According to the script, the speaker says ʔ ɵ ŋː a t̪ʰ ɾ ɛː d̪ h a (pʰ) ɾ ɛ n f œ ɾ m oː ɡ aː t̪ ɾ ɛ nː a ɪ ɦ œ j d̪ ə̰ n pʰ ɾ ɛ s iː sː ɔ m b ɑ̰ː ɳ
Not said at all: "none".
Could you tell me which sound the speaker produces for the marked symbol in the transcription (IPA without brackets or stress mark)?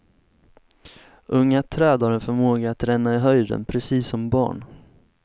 none